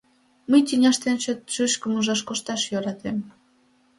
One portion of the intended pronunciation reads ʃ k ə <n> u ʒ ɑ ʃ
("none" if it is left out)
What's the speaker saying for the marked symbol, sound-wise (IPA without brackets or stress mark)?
m